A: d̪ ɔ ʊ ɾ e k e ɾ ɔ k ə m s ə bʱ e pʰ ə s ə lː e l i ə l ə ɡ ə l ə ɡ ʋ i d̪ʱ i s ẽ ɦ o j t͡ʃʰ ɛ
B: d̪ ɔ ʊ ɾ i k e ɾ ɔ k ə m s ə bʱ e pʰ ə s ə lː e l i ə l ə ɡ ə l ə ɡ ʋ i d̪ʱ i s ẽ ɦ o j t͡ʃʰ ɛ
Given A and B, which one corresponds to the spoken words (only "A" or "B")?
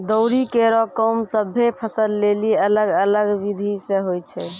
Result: B